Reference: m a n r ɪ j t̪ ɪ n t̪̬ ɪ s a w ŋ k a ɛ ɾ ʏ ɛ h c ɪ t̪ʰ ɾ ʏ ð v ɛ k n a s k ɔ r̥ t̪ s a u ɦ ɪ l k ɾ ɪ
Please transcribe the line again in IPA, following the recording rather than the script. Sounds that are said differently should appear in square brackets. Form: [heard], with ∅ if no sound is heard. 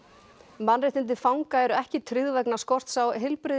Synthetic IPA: m a n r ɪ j t̪ ɪ n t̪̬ ɪ [f] a w ŋ k a ɛ ɾ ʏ ɛ h c ɪ t̪ʰ ɾ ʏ ð v ɛ k n a s k ɔ r̥ t̪ s a [w] ɦ ɪ l [p] ɾ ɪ